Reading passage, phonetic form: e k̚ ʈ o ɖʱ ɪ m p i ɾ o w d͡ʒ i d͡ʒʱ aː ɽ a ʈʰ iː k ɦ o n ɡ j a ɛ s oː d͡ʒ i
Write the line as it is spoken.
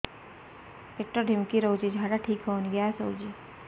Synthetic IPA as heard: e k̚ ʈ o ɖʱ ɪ m k i ɾ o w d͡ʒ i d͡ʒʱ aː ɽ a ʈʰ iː k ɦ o n ɡ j a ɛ s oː d͡ʒ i